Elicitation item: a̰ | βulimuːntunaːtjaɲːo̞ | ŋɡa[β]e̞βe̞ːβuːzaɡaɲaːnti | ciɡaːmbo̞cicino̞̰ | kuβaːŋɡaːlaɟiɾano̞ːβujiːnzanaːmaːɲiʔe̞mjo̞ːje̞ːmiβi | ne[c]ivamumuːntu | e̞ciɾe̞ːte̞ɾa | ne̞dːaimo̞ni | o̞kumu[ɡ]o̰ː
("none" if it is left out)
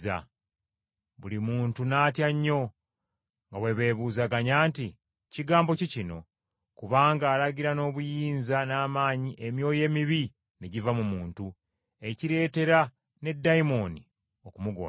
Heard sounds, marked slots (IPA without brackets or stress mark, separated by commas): w, ɟ, ɡ